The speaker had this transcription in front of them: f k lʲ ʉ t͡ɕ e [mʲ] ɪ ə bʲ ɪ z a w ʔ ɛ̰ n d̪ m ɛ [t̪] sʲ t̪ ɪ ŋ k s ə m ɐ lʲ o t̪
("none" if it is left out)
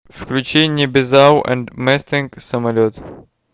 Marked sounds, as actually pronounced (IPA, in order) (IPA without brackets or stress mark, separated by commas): nʲ, none